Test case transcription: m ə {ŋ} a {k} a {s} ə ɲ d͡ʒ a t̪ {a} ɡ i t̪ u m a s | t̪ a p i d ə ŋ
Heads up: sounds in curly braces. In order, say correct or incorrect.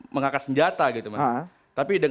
correct, correct, correct, correct

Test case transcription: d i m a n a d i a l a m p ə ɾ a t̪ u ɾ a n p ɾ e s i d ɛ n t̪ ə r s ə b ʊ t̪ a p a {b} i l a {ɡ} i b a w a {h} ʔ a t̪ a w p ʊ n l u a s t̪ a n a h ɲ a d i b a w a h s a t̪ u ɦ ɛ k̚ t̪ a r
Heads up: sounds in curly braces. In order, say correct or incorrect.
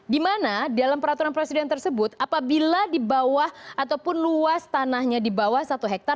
correct, incorrect, correct

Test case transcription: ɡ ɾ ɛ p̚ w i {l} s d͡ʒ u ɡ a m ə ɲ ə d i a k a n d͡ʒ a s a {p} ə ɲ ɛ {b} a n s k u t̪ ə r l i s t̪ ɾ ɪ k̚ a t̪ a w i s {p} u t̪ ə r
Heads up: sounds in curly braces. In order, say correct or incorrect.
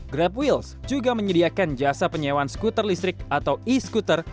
correct, correct, incorrect, incorrect

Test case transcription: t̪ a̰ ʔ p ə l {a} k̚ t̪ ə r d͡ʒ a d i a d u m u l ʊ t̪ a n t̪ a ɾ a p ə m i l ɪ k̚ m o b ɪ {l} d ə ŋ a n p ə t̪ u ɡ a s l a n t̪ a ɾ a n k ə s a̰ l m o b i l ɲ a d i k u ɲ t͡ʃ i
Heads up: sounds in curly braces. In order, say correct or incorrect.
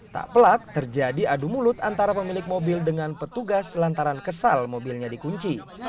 correct, correct

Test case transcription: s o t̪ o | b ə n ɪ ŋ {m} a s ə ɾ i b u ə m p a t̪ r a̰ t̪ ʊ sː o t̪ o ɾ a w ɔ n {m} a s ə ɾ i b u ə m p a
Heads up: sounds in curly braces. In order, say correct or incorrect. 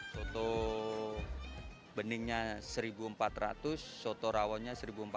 incorrect, incorrect

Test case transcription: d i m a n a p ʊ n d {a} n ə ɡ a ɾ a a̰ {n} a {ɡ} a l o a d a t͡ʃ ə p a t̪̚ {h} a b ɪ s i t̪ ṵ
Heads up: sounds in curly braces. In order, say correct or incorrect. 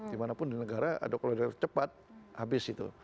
incorrect, incorrect, incorrect, correct

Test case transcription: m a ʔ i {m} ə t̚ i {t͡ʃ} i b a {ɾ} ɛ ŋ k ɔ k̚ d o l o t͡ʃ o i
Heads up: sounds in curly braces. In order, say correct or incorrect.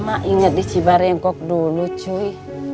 incorrect, correct, correct

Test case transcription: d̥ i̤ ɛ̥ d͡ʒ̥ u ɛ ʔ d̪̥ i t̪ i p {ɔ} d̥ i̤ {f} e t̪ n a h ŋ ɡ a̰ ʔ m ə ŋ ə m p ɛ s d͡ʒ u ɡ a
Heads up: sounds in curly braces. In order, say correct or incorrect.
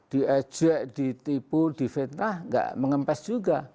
incorrect, correct

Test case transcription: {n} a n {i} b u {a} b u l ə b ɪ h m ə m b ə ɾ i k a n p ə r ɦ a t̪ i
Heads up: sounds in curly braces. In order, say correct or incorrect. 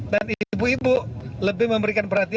incorrect, correct, incorrect

